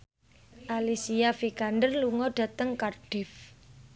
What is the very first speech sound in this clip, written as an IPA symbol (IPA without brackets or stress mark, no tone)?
ʔ